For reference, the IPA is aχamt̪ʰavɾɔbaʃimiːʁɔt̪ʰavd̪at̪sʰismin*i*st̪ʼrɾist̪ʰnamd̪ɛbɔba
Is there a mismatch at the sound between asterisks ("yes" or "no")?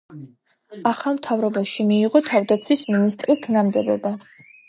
no